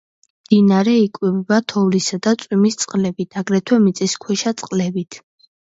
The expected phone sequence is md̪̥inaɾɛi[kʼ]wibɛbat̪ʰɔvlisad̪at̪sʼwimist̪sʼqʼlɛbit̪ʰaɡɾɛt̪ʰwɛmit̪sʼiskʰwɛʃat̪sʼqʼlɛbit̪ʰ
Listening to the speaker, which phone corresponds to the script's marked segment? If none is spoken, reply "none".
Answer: kʼ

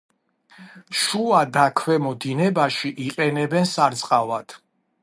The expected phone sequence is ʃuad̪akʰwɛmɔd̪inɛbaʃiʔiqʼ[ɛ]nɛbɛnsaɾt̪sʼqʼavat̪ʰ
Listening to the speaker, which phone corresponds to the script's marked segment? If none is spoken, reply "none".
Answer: ɛ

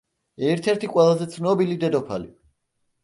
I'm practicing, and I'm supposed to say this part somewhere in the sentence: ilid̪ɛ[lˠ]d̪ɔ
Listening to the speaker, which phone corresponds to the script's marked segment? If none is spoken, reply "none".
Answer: none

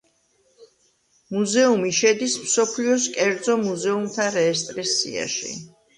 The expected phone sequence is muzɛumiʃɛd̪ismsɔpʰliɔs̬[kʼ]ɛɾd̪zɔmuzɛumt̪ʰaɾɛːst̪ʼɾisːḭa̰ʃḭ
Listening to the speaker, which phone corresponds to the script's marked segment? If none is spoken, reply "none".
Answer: kʼ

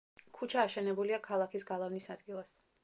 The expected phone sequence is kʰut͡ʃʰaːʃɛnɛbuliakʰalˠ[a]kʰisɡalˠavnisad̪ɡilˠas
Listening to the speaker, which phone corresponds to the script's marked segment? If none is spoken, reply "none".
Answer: a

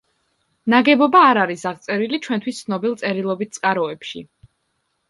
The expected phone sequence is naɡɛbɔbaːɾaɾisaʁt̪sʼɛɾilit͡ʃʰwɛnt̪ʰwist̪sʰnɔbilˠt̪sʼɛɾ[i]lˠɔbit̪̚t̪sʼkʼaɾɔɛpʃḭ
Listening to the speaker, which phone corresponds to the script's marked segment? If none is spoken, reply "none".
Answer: i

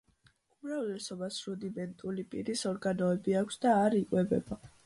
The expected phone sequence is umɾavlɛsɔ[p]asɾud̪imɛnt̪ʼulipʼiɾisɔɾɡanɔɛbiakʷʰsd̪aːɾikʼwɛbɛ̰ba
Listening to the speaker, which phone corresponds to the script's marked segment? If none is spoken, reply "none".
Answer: b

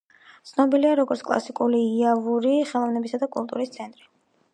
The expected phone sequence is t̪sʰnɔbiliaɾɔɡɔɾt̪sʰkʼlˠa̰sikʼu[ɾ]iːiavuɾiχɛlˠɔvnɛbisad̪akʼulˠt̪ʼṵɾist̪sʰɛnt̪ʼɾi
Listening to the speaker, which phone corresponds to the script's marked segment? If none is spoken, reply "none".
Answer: l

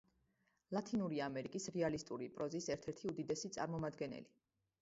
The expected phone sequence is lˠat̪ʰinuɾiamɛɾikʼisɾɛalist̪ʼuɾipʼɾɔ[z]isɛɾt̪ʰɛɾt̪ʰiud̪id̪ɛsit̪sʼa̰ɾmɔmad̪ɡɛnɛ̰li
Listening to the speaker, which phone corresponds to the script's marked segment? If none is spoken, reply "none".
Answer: z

